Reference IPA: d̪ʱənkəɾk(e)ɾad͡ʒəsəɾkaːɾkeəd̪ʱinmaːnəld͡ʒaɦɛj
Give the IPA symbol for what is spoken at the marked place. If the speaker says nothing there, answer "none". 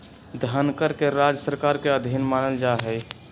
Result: e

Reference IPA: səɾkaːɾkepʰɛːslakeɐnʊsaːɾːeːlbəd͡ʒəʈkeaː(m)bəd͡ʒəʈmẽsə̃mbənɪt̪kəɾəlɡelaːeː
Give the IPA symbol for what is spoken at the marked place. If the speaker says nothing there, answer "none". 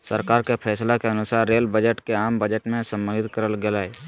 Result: m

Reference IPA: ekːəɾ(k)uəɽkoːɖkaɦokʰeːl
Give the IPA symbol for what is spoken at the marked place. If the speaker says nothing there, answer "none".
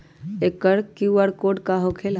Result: k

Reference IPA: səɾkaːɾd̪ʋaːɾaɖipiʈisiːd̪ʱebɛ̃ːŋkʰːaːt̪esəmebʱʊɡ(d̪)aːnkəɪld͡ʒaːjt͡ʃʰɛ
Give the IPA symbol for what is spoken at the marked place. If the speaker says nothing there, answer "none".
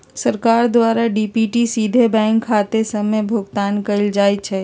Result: t̪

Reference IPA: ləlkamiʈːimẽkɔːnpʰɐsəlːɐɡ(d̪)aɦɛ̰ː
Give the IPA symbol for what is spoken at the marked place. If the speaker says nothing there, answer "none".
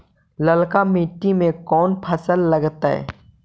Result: t̪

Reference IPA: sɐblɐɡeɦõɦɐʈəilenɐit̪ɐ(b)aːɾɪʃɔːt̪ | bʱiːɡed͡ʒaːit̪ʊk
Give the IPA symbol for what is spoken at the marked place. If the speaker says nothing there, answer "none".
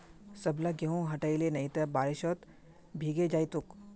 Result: b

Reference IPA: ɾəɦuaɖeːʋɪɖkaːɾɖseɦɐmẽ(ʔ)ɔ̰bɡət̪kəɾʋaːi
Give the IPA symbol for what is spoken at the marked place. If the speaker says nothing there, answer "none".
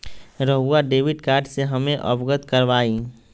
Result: ʔ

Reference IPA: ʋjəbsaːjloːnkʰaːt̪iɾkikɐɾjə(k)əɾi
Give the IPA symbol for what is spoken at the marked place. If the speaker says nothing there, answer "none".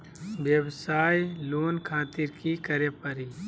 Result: p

